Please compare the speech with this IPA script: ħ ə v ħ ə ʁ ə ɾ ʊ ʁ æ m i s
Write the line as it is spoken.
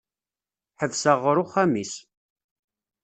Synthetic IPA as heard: ħ ə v s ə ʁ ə ɾ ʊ χ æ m i s